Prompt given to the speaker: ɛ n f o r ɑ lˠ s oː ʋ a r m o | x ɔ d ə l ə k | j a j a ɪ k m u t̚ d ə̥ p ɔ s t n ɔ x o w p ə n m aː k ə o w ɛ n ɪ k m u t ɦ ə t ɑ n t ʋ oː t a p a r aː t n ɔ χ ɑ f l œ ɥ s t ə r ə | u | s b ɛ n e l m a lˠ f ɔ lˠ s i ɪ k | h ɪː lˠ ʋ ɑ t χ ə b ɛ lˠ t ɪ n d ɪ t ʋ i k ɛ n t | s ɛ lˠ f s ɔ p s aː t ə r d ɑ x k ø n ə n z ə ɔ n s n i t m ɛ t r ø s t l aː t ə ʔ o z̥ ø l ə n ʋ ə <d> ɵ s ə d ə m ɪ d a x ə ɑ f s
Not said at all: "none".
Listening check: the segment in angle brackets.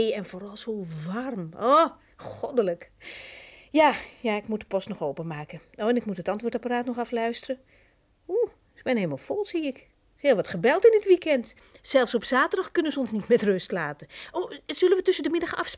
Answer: t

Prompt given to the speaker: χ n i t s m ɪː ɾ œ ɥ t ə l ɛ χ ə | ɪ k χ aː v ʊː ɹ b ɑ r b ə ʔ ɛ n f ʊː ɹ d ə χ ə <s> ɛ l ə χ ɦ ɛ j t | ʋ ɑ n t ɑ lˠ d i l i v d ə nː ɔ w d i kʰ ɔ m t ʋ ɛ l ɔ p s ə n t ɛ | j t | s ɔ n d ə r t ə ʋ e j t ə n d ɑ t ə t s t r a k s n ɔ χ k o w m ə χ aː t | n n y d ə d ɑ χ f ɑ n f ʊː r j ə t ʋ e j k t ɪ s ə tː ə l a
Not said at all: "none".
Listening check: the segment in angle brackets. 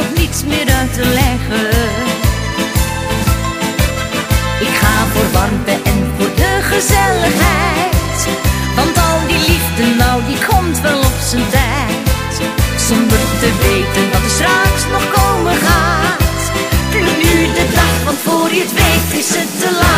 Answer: z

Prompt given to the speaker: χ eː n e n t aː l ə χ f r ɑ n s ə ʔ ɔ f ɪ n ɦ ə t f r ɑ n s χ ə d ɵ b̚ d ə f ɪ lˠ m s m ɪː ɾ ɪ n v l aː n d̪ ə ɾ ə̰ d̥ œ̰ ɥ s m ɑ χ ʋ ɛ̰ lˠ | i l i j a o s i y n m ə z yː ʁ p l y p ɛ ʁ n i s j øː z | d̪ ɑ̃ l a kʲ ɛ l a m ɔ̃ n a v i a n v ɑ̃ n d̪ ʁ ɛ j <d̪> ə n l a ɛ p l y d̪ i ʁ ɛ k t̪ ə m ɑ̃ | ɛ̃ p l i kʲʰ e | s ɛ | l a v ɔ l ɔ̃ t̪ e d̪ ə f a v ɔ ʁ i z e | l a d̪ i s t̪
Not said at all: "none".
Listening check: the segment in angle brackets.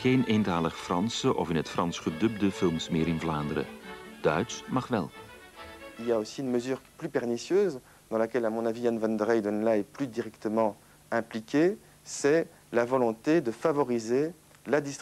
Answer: d̪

